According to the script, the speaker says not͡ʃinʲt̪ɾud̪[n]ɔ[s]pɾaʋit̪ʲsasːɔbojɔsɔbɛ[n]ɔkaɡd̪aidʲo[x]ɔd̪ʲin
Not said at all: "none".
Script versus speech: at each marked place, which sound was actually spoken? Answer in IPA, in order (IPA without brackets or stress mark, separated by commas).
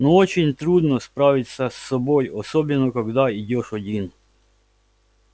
n, s, n, ʃ